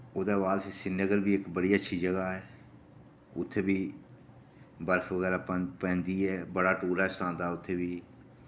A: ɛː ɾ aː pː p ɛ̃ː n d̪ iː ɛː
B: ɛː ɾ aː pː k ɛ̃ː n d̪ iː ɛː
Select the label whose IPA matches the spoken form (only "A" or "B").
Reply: A